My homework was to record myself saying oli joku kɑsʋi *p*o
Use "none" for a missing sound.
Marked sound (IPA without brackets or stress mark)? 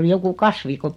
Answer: k